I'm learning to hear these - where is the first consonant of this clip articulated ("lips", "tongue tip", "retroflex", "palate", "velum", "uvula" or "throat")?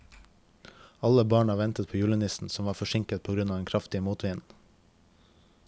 tongue tip